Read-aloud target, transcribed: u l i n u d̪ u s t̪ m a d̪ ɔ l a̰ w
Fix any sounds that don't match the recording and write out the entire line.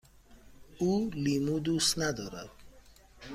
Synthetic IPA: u l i m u d̪ u s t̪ n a d̪ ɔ ɾ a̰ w